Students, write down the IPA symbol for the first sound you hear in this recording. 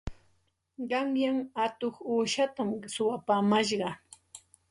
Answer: ɢ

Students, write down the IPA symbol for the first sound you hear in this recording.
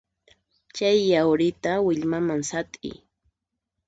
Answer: t͡ʃ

